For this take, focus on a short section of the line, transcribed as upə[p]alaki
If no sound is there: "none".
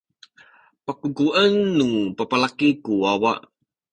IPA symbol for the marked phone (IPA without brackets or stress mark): p